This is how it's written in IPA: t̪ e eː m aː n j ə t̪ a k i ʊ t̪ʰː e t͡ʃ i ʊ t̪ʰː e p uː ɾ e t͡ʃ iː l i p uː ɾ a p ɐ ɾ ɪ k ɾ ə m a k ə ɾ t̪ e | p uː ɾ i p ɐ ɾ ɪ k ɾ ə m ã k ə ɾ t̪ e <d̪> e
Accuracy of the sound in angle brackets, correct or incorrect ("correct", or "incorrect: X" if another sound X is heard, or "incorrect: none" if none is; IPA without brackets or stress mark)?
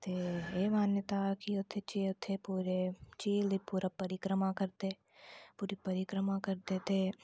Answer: incorrect: t̪